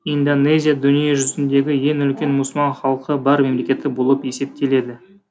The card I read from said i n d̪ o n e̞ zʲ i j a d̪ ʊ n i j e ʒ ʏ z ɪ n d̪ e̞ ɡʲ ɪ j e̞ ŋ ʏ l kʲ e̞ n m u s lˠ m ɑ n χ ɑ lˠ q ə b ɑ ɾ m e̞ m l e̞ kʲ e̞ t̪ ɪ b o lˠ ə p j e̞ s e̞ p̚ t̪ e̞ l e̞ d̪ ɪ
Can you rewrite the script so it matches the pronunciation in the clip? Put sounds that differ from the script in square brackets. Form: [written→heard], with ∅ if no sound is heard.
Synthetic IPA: i n d̪ o n e̞ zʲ i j a d̪ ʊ n i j e ʒ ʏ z ɪ n d̪ e̞ ɡʲ ɪ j e̞ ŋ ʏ l kʲ e̞ n m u s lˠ m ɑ n χ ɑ lˠ q ə b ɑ ɾ m e̞ m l e̞ kʲ e̞ t̪ ɪ b o lˠ ə p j e̞ s e̞ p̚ t̪ e̞ l e̞ d̪ ɪ